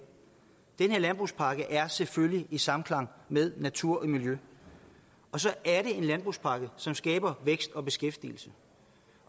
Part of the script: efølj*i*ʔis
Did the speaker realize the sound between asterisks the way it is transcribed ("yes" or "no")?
yes